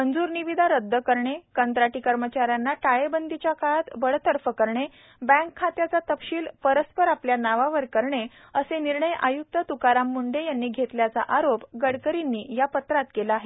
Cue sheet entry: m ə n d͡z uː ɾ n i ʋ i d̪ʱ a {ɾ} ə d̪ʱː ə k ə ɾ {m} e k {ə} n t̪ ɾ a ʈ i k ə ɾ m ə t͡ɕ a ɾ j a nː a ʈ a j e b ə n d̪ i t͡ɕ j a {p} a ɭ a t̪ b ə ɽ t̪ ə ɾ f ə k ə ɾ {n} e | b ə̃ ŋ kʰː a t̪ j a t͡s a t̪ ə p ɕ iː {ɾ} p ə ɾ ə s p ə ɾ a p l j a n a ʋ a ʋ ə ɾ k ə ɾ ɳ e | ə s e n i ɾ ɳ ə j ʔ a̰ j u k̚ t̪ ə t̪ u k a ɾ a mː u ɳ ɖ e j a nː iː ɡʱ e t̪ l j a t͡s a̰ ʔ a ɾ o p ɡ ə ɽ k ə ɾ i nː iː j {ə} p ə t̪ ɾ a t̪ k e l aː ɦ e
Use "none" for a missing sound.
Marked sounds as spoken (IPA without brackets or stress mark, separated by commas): ɾ, ɳ, ə, k, ɳ, l, a